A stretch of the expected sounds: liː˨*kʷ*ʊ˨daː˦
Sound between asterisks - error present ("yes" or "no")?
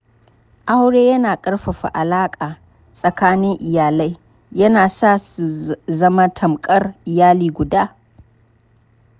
yes